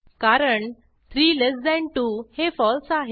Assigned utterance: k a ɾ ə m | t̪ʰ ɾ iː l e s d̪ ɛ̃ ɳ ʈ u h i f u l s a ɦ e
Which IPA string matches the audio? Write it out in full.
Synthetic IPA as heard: k a ɾ ə ɳ | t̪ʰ ɾ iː l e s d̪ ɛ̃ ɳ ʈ u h e f ɔ l s a ɦ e